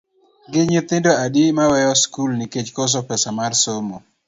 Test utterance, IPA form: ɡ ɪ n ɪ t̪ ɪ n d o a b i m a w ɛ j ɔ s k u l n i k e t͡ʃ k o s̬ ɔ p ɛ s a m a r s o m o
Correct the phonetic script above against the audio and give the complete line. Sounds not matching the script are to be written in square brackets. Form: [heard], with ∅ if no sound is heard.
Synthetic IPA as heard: ɡ ɪ [ɲ] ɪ t̪ ɪ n d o a [d] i m a w ɛ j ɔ s k u l n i k e t͡ʃ k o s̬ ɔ p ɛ s a m a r s o m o